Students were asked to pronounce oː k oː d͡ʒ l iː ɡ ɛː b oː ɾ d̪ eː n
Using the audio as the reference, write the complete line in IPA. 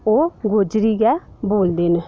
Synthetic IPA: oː ɡ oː d͡ʒ ɾ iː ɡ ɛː b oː l d̪ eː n